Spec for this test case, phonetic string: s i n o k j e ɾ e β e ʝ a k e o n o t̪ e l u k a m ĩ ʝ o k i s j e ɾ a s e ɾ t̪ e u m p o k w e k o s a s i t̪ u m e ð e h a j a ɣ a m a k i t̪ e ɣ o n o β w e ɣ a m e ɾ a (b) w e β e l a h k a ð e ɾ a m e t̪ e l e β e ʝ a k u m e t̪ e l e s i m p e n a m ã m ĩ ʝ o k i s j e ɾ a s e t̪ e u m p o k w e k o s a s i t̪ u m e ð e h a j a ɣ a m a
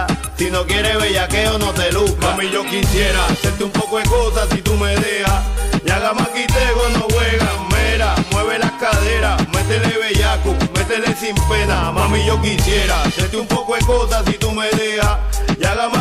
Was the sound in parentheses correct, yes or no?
no